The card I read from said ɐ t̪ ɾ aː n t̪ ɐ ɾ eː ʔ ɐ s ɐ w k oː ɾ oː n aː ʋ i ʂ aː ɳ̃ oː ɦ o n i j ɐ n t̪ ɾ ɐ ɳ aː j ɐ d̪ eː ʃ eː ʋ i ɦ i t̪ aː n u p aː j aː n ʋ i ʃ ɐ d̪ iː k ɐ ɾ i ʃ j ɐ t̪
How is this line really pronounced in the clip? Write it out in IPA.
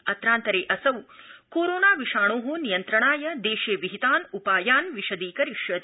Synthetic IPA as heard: ɐ t̪ ɾ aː n t̪ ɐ ɾ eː ʔ ɐ s ɐ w k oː ɾ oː n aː ʋ i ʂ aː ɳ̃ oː ɦ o n i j ɐ n t̪ ɾ ɐ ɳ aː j ɐ d̪ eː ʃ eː ʋ i ɦ i t̪ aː n u p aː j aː n ʋ i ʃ ɐ d̪ iː k ɐ ɾ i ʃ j ɐ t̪